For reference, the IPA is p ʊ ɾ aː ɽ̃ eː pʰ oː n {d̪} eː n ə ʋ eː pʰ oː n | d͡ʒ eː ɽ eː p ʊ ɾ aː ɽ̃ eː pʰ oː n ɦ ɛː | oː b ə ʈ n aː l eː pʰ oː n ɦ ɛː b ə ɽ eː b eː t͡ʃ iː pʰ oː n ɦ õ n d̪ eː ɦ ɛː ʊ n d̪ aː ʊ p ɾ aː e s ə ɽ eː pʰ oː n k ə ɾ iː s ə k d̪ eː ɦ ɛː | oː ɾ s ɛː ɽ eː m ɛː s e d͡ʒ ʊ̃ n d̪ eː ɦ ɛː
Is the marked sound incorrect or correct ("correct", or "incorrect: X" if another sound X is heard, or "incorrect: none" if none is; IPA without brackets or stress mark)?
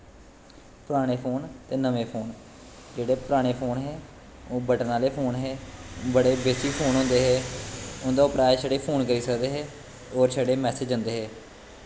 incorrect: t̪